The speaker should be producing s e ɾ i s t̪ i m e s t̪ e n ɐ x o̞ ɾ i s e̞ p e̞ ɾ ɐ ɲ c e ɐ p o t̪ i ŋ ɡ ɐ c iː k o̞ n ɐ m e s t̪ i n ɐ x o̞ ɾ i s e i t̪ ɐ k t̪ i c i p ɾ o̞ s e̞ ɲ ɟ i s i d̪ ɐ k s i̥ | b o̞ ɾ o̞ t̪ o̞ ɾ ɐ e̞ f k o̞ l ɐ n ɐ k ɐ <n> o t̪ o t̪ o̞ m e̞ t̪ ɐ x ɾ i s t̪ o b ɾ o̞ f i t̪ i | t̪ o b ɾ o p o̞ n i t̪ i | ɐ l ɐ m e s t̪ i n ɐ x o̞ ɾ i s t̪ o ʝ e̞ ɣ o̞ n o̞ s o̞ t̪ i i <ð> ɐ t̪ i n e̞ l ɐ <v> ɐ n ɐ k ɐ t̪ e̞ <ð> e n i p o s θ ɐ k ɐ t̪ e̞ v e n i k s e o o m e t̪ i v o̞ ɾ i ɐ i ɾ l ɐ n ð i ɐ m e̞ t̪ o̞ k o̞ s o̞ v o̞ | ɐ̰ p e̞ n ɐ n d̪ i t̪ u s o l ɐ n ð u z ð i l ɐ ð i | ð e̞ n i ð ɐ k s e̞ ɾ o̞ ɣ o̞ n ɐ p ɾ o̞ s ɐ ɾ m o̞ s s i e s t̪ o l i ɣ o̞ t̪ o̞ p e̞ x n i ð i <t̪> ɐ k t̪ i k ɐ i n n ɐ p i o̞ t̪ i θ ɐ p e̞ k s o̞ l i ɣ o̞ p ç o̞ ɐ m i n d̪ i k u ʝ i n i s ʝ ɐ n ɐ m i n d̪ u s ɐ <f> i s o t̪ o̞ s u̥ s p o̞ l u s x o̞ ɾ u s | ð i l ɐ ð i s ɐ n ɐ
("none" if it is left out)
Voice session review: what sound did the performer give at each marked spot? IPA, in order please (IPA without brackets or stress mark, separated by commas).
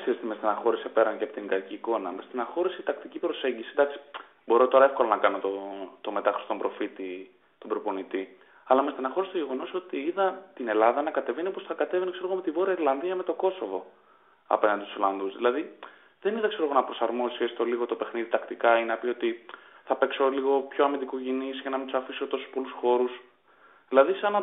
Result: n, ð, ð, v, t̪, f